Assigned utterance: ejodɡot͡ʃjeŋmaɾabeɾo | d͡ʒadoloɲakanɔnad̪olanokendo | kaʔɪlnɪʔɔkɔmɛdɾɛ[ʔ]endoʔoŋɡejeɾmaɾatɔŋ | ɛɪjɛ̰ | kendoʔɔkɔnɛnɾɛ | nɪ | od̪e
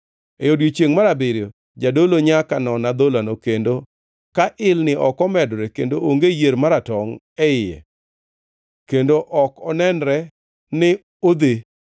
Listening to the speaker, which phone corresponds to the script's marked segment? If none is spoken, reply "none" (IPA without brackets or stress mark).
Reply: k